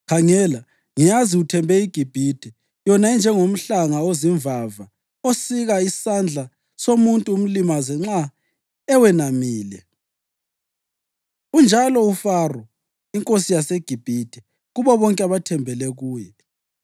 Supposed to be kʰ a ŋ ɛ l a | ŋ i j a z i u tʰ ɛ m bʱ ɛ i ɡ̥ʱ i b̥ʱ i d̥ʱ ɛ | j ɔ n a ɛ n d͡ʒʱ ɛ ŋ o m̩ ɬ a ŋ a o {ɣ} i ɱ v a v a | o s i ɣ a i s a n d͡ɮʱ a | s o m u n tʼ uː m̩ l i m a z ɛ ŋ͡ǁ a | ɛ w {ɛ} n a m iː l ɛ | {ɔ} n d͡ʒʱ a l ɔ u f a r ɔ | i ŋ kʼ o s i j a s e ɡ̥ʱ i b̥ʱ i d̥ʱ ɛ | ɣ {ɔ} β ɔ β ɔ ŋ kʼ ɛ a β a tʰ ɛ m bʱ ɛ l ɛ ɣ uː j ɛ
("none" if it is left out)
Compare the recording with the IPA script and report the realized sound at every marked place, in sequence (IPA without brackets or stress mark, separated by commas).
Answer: z, ɛ, u, u